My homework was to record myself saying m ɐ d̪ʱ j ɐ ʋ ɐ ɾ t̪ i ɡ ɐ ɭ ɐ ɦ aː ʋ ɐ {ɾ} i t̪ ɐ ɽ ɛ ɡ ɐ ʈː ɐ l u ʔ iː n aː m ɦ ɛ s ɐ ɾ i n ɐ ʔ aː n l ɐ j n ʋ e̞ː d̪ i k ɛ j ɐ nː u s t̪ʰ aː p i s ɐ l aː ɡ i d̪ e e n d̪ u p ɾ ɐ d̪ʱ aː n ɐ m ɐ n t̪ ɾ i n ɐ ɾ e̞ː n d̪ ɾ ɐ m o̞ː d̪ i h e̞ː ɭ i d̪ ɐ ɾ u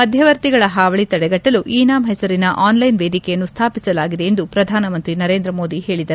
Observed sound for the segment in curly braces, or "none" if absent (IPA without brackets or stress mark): ɭ